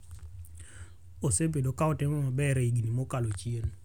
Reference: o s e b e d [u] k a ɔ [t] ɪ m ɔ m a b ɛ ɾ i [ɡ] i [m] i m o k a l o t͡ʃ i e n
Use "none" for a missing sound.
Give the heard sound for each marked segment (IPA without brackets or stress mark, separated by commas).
o, t, ɡ, n